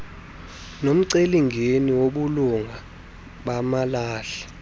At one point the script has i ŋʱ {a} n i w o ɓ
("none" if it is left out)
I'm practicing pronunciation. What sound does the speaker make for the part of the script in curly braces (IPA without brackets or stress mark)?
e